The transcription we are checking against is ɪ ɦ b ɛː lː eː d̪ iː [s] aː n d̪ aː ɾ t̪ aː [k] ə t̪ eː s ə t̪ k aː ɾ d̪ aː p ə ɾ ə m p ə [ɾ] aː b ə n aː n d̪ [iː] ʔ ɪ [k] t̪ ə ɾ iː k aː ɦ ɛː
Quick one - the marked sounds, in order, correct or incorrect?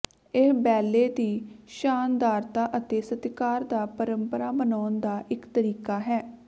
incorrect: ʃ, incorrect: ʔ, correct, incorrect: aː, correct

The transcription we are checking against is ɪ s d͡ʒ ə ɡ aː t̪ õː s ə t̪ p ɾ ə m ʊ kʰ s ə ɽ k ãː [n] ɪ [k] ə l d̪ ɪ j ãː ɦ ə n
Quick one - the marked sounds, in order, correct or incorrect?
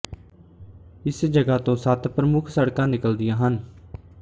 correct, correct

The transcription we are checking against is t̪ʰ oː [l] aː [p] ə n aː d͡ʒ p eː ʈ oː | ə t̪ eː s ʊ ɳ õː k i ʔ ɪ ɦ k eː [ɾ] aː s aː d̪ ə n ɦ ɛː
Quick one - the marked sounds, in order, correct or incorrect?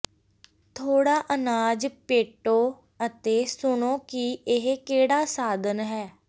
incorrect: ɽ, incorrect: ʔ, incorrect: ɽ

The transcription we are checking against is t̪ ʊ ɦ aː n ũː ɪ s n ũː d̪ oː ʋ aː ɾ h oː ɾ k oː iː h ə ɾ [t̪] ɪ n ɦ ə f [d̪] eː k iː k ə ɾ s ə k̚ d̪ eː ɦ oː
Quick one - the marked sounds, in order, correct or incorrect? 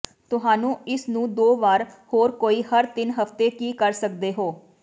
correct, incorrect: t̪

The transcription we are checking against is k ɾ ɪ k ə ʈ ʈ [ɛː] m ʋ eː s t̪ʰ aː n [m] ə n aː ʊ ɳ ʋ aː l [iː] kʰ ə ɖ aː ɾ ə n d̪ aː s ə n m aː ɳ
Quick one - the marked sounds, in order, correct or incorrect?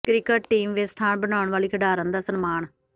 incorrect: iː, incorrect: b, correct

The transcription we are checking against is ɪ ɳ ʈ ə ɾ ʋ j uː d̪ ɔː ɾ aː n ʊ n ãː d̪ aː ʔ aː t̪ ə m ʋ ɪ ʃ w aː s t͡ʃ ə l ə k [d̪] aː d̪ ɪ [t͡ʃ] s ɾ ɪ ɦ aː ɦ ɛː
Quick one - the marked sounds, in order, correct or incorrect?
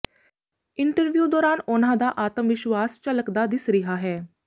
correct, incorrect: none

